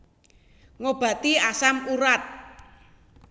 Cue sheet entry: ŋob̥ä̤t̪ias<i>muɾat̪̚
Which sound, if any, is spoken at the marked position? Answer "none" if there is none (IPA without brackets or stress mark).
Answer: a